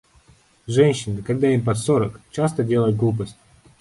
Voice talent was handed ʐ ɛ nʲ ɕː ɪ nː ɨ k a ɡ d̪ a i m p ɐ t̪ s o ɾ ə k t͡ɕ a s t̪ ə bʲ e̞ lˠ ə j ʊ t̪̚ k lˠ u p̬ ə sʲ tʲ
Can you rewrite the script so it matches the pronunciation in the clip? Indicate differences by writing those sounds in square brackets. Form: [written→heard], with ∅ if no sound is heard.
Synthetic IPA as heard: ʐ ɛ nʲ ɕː ɪ [nː→n] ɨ k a ɡ d̪ a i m p ɐ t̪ s o ɾ ə k t͡ɕ a s t̪ ə [bʲ→dʲ] e̞ lˠ ə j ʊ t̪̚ [k→ɡ] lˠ u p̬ ə sʲ tʲ